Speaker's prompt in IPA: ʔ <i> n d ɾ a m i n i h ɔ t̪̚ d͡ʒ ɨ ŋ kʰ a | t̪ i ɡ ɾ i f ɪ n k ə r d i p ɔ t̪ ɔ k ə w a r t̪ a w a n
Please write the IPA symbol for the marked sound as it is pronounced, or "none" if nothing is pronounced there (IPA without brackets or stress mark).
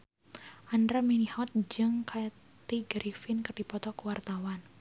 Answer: a